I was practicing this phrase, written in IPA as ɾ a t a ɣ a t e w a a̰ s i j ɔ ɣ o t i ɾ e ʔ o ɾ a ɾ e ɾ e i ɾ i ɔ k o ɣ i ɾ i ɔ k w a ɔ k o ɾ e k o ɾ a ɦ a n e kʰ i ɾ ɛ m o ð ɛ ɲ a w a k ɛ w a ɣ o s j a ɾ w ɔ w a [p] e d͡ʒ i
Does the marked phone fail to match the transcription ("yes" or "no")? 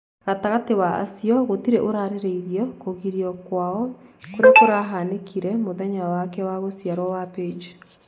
no